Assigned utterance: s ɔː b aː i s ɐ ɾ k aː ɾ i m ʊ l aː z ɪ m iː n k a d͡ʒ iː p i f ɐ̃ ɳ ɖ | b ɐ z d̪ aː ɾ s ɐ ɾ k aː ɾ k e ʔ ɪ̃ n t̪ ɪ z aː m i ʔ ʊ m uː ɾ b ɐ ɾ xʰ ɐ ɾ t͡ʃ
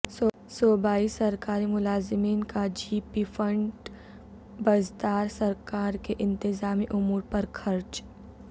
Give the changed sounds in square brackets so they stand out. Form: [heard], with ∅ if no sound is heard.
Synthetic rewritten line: s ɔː b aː i s ɐ ɾ k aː ɾ i m ʊ l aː z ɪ m iː n k a d͡ʒ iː p i f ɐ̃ ɳ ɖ | b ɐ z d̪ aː ɾ s ɐ ɾ k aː ɾ k e ʔ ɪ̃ n t̪ ɪ z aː m i ʔ ʊ m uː ɾ [p] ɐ ɾ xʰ ɐ ɾ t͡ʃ